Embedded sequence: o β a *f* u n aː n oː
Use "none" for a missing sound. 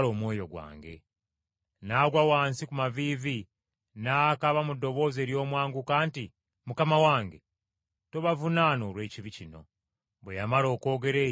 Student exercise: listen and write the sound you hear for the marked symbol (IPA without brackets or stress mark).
v